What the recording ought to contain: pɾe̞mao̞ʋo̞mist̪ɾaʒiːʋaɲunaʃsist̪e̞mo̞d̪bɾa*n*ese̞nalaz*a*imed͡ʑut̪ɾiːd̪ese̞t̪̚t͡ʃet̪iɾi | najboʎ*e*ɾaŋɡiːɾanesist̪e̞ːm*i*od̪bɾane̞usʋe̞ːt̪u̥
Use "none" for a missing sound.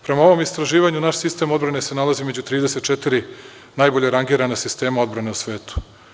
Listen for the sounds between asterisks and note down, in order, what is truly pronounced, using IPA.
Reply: n, i, e, a

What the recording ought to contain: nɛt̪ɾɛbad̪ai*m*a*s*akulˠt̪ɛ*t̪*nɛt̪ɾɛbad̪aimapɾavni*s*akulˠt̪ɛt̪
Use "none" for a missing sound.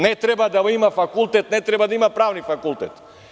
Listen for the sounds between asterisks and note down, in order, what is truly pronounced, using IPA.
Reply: m, f, t̪, f

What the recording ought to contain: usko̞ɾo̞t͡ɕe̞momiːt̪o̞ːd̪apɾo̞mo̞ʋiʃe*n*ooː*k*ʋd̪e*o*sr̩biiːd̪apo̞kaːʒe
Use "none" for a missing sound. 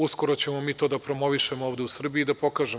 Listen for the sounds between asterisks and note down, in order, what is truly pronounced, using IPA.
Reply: m, none, u

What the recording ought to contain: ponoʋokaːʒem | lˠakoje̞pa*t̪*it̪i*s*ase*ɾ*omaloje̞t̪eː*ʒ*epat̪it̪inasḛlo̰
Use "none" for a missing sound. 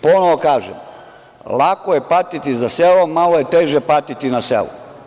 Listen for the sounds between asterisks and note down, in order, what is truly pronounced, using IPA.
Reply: t̪, z, l, ʒ

